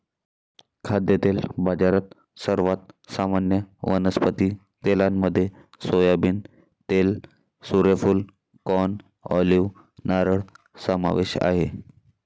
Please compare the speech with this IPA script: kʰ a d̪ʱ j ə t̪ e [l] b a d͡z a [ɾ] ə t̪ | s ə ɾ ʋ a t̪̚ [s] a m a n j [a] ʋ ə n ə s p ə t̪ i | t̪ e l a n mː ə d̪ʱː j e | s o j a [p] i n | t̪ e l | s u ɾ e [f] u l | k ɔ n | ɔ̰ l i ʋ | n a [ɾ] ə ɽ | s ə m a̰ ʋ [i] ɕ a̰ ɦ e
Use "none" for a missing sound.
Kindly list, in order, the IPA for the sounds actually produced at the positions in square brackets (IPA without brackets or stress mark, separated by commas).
l, ɾ, s, ə, b, f, ɾ, e